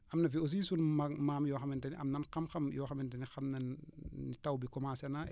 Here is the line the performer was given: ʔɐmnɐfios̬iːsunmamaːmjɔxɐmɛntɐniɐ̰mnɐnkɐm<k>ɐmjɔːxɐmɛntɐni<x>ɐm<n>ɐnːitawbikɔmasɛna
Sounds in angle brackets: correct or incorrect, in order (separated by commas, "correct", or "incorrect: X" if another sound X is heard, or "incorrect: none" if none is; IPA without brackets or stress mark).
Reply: incorrect: x, correct, correct